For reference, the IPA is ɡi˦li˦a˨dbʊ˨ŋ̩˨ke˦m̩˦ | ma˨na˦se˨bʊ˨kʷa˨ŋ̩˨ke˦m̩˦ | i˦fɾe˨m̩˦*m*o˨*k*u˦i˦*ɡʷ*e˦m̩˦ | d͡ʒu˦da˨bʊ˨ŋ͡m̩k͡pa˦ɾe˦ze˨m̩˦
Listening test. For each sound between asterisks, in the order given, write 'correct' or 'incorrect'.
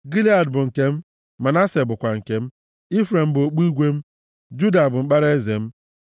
incorrect, incorrect, correct

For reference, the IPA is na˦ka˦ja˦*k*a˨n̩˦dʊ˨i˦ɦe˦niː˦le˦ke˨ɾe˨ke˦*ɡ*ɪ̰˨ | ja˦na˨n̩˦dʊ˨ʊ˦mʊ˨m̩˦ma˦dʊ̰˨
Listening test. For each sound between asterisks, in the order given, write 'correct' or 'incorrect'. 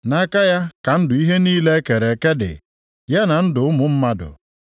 correct, incorrect

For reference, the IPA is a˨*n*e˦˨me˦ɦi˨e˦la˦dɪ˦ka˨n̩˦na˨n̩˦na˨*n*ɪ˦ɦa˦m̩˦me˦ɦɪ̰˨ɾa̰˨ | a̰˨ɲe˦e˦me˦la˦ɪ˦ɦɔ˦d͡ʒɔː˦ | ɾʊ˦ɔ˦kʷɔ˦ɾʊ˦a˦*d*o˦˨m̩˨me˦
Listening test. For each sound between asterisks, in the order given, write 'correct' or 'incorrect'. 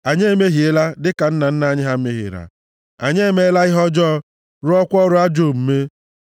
incorrect, incorrect, incorrect

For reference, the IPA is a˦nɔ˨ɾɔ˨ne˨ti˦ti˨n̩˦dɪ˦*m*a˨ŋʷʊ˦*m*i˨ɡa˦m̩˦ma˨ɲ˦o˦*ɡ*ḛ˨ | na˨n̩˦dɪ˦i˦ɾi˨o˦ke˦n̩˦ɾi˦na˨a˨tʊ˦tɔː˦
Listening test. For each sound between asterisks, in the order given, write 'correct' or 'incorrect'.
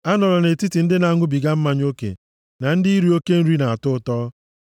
incorrect, incorrect, incorrect

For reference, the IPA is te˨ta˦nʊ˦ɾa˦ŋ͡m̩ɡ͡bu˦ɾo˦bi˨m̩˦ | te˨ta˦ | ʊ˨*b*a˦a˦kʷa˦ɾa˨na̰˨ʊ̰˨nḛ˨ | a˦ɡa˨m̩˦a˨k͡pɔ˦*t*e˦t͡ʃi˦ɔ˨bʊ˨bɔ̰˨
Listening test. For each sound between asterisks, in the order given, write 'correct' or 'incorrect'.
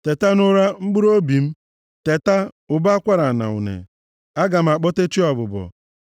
correct, correct

